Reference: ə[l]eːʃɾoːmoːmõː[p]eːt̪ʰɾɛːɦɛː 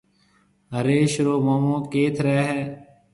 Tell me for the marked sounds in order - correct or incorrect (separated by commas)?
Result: incorrect, incorrect